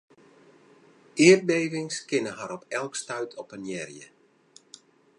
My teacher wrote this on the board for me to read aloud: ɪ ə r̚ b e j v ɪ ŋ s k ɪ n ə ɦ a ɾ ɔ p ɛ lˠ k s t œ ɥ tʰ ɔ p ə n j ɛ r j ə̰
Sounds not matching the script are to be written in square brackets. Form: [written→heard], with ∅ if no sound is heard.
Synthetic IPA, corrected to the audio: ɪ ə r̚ b e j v ɪ ŋ s k ɪ n ə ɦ a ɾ ɔ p ɛ lˠ k s t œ ɥ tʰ ɔ p ə n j ɛ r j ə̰